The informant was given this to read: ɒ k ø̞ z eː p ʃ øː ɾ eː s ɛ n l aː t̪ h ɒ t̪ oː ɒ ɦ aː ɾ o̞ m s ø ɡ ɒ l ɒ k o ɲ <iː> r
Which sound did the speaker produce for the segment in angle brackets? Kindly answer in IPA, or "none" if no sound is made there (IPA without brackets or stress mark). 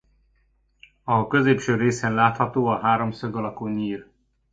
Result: iː